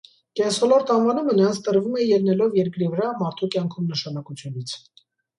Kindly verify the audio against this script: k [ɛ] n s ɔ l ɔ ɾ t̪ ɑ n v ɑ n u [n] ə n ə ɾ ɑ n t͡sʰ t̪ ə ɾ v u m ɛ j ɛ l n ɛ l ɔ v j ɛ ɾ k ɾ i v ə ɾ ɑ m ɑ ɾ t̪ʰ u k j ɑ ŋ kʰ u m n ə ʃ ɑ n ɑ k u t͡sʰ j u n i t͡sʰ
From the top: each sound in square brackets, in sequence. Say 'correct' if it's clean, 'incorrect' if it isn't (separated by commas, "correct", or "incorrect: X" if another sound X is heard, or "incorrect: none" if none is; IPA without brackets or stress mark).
correct, incorrect: m